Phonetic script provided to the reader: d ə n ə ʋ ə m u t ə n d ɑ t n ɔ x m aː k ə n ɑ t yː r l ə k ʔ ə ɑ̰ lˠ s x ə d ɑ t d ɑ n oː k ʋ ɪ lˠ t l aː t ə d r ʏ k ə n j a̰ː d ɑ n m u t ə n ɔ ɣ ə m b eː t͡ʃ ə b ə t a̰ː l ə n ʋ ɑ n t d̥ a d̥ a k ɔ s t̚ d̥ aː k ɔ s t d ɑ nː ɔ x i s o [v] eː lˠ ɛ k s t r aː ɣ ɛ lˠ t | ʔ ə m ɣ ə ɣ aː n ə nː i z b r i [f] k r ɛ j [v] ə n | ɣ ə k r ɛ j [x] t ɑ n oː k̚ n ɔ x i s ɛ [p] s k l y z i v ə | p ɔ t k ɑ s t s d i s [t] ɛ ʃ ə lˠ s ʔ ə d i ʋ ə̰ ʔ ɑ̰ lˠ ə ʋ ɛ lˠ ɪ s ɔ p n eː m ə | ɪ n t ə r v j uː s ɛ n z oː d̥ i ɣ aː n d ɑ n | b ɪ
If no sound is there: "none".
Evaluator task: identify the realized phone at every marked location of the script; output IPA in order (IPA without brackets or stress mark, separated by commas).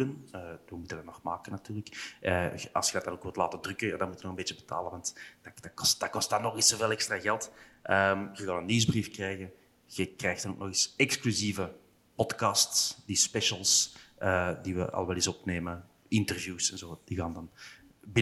v, f, ɣ, x, k, p